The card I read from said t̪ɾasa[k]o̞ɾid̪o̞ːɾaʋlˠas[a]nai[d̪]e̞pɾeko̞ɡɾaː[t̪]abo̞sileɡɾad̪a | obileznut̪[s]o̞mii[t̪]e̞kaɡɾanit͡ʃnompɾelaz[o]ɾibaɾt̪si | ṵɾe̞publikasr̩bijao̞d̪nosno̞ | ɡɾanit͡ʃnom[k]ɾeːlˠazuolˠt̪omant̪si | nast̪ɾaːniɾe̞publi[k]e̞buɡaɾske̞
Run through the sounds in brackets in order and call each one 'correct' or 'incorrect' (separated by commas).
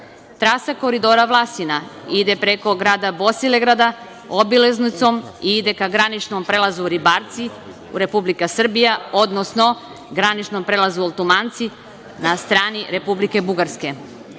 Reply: correct, incorrect, correct, incorrect, correct, incorrect, incorrect, incorrect, correct